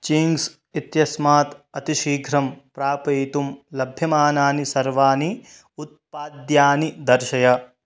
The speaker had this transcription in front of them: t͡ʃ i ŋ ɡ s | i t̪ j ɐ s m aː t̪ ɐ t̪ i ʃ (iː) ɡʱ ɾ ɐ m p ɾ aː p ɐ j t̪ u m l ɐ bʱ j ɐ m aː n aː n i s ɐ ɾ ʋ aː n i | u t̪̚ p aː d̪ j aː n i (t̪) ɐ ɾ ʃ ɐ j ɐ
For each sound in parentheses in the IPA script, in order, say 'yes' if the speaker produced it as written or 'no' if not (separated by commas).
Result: yes, no